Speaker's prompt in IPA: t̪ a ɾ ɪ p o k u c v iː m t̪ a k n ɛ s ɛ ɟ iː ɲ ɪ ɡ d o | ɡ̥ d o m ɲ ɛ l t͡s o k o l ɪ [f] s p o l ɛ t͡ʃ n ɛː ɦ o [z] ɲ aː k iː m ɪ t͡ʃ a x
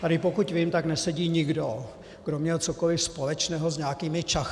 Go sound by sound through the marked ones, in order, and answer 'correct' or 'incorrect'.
correct, correct

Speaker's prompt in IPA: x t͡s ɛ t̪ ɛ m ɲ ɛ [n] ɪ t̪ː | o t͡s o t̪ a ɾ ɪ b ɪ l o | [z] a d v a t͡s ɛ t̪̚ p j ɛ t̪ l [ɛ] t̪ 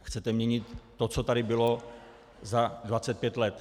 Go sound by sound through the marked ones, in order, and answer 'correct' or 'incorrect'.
incorrect: ɲ, correct, correct

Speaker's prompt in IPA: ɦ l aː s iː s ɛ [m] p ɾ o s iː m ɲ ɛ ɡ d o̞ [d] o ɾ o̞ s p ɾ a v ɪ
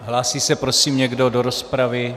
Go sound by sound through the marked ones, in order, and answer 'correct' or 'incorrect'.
incorrect: none, correct

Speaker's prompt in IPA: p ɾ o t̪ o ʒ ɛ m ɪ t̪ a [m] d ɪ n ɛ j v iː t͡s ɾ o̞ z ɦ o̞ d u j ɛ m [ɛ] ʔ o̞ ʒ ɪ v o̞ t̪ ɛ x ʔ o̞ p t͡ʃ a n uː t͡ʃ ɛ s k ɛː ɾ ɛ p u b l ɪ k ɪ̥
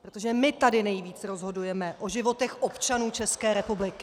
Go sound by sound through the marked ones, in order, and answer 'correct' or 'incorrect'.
incorrect: none, correct

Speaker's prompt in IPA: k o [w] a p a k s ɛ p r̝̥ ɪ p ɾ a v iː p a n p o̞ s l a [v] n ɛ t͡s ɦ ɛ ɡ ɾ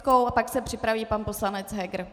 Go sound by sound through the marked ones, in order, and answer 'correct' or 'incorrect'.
correct, incorrect: none

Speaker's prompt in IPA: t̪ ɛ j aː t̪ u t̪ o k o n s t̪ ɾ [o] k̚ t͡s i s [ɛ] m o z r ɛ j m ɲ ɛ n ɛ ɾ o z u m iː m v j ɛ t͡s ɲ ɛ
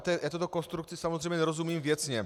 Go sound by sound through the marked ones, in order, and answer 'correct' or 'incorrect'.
incorrect: u, incorrect: a

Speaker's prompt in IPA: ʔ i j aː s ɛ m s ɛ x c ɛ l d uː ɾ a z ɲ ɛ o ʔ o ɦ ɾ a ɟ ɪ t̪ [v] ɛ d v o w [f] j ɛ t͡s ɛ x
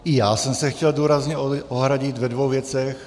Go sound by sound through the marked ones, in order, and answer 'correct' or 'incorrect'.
correct, incorrect: v

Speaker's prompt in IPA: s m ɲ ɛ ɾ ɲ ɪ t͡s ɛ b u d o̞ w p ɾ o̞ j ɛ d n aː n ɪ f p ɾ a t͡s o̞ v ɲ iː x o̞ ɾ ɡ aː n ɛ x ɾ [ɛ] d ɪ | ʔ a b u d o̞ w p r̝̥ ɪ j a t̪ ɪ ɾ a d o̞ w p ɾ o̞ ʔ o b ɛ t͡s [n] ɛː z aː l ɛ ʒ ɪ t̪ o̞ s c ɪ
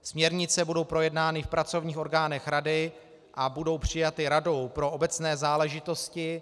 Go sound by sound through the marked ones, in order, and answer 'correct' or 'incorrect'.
incorrect: a, correct

